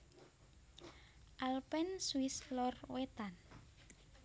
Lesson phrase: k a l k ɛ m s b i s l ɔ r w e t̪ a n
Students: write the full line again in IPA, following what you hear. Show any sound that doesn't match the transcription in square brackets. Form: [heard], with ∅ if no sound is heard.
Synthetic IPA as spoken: [ʔ] a l [p] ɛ [n] s [w] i s l ɔ r w e t̪ a n